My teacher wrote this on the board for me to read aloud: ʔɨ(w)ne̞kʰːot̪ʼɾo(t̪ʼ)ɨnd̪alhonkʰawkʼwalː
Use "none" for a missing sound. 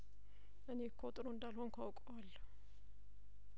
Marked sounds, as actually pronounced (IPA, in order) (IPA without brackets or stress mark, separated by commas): none, none